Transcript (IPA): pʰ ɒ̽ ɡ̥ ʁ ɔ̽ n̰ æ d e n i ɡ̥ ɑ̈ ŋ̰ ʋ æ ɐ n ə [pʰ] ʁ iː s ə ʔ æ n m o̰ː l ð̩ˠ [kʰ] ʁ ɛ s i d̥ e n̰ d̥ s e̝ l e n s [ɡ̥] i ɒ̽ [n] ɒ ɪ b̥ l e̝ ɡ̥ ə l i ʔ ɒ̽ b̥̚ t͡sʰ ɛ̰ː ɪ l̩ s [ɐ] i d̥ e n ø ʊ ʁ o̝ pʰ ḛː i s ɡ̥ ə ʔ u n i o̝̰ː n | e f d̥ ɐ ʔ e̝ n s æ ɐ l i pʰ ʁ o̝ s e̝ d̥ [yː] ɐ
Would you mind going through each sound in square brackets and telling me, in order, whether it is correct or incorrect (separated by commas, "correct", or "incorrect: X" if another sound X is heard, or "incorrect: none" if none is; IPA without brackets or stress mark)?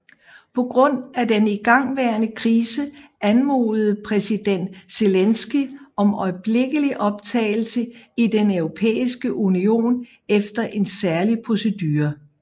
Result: incorrect: kʰ, incorrect: pʰ, correct, incorrect: m, incorrect: ə, correct